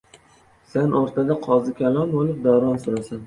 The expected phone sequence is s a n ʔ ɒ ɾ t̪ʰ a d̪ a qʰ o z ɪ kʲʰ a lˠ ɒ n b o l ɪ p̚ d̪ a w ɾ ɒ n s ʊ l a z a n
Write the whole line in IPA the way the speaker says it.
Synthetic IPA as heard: s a n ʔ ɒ ɾ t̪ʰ a d̪ a qʰ ɒ z ɪ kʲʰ a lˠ ɒ n b o l ɪ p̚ d̪ a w ɾ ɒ n s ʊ ɾ a s a n